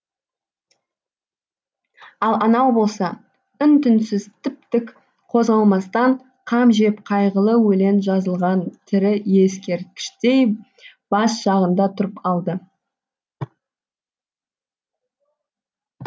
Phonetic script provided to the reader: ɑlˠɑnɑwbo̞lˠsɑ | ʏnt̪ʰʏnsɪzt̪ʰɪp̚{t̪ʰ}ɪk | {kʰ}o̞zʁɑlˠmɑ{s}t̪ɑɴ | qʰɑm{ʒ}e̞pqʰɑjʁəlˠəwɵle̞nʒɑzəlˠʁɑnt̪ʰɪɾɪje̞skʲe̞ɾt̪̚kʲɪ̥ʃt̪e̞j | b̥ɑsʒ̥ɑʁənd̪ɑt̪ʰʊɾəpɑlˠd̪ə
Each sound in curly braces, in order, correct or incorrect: incorrect: t̪, incorrect: qʰ, correct, correct

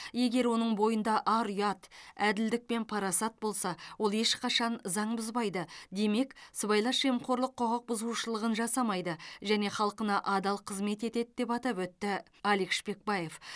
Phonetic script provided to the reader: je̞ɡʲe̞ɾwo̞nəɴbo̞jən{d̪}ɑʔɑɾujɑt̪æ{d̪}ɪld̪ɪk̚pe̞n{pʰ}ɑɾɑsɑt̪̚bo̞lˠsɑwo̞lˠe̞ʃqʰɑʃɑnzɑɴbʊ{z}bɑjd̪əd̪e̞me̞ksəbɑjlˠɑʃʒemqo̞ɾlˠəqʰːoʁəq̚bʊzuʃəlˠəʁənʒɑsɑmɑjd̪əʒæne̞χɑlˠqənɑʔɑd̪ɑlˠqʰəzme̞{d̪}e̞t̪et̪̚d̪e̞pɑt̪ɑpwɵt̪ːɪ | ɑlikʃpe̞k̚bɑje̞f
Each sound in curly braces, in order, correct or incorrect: correct, correct, correct, correct, incorrect: t̪

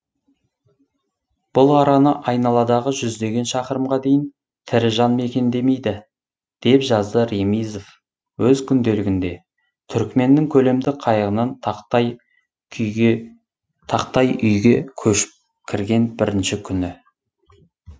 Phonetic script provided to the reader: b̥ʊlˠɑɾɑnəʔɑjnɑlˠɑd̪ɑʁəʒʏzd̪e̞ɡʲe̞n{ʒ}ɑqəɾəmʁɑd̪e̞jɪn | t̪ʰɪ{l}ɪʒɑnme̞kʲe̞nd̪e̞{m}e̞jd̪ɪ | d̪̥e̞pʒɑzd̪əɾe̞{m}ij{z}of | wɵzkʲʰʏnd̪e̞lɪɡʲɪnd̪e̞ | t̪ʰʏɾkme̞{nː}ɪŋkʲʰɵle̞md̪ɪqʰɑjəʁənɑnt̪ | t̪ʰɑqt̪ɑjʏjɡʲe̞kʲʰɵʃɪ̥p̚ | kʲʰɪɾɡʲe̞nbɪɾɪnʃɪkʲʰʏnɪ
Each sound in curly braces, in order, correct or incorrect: incorrect: ʃ, incorrect: ɾ, correct, correct, correct, correct

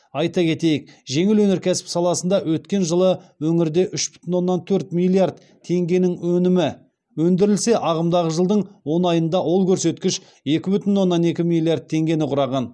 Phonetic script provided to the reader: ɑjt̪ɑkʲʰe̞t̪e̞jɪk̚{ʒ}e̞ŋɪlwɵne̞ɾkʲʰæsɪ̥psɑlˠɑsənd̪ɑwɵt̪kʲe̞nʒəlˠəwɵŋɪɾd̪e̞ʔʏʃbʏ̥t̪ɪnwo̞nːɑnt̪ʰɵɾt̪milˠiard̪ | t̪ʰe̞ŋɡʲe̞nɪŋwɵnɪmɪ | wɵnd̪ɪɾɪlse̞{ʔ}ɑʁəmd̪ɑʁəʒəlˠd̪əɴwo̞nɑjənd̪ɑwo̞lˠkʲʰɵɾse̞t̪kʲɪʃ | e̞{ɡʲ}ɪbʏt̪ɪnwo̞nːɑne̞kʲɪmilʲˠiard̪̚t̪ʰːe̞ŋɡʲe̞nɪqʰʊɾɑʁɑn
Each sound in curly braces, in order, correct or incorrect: correct, correct, incorrect: kʲ

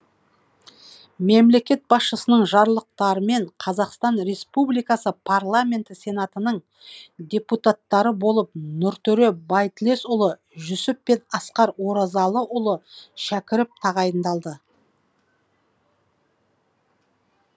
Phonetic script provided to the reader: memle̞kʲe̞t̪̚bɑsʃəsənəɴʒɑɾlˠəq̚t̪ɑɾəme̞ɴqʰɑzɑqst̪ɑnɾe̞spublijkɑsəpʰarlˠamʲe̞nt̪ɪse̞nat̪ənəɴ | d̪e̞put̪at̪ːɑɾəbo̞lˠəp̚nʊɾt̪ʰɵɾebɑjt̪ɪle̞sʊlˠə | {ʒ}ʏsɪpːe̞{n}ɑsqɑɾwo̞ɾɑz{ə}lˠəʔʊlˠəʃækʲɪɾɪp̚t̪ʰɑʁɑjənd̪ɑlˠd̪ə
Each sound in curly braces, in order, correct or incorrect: correct, correct, incorrect: ɑ

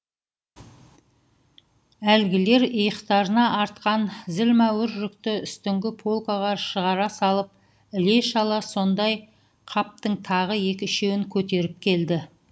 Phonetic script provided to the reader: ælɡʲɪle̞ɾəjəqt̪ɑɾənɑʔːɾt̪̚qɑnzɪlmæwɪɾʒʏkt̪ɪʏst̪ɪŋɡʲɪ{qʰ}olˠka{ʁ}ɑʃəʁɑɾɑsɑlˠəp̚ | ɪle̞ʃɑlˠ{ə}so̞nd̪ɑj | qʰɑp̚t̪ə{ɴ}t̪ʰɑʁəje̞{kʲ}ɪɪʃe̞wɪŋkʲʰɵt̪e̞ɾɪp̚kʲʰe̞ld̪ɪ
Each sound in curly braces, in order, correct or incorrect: incorrect: pʰ, correct, incorrect: ɑ, correct, correct

